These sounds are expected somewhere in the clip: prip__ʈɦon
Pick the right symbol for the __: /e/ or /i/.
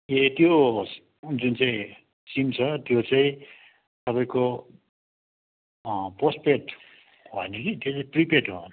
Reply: e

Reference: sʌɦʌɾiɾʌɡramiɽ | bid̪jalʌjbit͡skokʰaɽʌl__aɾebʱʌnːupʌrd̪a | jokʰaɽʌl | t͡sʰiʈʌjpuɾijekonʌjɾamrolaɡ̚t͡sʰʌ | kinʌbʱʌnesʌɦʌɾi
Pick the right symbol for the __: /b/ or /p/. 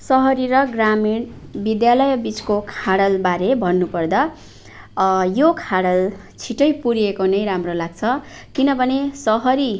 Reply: b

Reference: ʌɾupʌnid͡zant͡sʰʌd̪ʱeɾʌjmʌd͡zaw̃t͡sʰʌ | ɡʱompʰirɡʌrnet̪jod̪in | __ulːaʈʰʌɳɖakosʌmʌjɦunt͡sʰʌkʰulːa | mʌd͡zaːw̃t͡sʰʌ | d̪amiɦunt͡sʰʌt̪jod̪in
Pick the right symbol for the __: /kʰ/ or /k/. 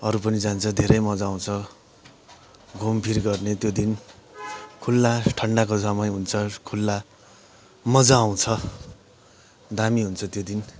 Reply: kʰ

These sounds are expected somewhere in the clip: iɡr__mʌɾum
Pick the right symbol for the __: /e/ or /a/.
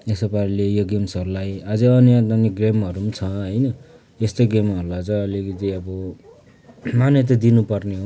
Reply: e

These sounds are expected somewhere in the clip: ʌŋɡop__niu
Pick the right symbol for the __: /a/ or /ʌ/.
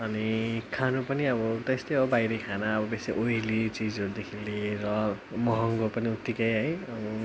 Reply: ʌ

